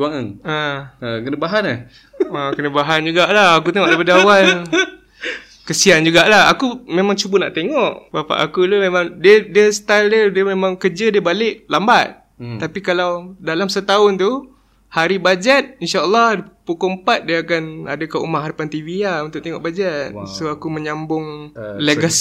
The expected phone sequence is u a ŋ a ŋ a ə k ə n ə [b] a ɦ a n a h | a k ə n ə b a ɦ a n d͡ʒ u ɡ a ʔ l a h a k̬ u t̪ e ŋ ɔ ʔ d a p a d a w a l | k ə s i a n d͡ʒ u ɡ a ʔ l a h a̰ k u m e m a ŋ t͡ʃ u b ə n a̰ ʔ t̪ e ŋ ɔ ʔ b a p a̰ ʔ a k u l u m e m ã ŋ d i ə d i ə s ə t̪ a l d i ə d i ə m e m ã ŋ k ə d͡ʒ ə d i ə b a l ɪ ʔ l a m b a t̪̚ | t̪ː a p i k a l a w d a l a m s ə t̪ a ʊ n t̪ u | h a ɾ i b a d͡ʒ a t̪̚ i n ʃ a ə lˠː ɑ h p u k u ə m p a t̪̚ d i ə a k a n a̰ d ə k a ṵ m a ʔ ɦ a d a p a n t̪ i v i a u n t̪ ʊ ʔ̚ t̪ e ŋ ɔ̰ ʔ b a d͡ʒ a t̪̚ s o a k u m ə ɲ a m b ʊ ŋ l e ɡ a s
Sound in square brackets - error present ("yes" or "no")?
no